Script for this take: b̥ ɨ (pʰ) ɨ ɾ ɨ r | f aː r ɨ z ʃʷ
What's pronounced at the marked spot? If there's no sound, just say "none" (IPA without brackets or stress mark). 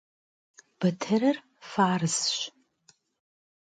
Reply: tʰ